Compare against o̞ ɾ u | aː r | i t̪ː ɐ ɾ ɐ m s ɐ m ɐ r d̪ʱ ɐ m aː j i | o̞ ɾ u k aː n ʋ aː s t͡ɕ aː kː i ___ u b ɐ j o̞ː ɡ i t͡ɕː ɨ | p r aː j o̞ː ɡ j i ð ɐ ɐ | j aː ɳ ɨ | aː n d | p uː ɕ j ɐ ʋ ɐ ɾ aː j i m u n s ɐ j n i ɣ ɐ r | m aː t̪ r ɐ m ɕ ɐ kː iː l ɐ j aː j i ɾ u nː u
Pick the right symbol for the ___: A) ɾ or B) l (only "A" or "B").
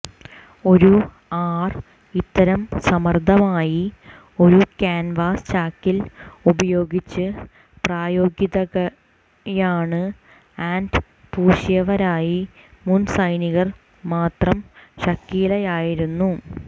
B